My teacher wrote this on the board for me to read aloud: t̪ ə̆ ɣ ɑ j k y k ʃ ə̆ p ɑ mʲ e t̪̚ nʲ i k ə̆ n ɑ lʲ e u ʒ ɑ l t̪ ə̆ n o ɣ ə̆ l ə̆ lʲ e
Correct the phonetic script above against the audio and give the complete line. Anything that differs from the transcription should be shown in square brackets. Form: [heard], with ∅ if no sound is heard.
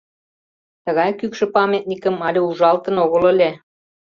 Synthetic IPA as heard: t̪ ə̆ ɣ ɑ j k y k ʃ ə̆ p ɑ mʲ e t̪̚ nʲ i k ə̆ [m] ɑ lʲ e u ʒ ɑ l t̪ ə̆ n o ɣ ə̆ l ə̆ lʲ e